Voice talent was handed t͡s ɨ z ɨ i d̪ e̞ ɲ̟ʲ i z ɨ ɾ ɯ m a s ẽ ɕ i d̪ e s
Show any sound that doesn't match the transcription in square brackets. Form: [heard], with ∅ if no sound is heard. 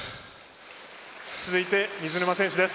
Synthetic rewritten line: t͡s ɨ z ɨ i [t̪] e̞ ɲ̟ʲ i z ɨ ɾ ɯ m a s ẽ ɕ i d̪ e s

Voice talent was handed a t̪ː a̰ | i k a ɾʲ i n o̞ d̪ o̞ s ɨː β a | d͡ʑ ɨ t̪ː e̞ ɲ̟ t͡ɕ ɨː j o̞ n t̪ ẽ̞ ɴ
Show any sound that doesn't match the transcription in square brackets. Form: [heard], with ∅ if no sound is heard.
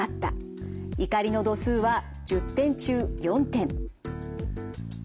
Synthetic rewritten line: a t̪ː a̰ | i k a ɾʲ i n o̞ d̪ o̞ s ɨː β a | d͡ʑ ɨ t̪ː [ẽ̞] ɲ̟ t͡ɕ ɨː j [õ̞] n t̪ ẽ̞ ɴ

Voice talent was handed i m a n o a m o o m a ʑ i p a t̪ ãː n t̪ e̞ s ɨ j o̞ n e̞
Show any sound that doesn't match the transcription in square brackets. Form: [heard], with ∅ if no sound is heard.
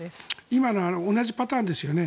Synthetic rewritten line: i m a n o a [n] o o [n] a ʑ i p a t̪ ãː n [d̪] e̞ s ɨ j o̞ n e̞

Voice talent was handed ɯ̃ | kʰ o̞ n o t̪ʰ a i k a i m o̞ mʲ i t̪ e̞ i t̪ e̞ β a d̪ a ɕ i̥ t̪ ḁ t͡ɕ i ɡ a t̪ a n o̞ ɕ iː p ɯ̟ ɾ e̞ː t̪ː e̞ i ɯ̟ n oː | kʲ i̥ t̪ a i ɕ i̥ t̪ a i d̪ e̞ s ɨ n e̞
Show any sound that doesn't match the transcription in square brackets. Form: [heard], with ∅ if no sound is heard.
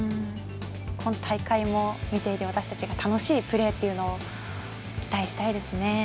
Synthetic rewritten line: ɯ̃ | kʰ o̞ n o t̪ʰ a i k a i m o̞ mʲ i t̪ e̞ i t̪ e̞ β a [t̪] a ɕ i̥ t̪ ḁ t͡ɕ i ɡ a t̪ a n o̞ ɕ iː p ɯ̟ ɾ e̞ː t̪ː e̞ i ɯ̟ n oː | kʲ i̥ t̪ a i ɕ i̥ t̪ a i d̪ e̞ s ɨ n e̞

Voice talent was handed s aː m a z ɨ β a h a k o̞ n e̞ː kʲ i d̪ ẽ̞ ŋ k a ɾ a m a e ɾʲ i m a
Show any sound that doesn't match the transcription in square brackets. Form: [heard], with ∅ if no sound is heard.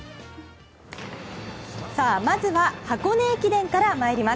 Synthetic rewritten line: s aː m a z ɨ β a h a k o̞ n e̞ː kʲ i d̪ ẽ̞ ŋ k a ɾ a m a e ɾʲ i m a

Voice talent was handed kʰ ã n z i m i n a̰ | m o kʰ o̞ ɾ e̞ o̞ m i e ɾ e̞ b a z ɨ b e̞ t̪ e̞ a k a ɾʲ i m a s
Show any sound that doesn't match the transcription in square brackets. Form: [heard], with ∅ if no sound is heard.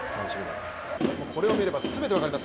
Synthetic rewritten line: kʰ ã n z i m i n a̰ | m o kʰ o̞ ɾ e̞ o̞ m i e ɾ e̞ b a [s] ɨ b e̞ t̪ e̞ a k a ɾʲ i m a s

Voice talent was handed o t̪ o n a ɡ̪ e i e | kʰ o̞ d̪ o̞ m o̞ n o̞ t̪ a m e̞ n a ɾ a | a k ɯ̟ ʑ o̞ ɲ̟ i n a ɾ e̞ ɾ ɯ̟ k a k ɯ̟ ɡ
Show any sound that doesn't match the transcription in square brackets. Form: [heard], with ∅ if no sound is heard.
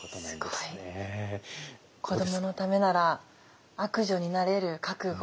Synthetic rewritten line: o t̪ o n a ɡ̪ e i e | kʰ o̞ d̪ o̞ m o̞ n o̞ t̪ a m e̞ n a ɾ a | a k ɯ̟ ʑ o̞ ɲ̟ i n a ɾ e̞ ɾ ɯ̟ k a k ɯ̟ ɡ

